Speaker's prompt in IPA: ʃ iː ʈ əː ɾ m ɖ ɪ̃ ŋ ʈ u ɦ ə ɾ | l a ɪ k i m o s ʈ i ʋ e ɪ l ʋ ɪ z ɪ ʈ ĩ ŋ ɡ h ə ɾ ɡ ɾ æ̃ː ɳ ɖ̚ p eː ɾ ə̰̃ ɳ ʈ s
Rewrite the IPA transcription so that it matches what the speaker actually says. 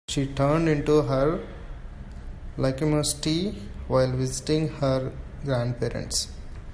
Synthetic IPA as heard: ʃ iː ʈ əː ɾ ɳ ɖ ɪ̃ ɳ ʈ u ɦ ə ɾ | l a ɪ k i m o s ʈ i ʋ a ɪ l ʋ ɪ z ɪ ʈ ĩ ŋ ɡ h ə ɾ ɡ ɾ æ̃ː ɳ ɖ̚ p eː ɾ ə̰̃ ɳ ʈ s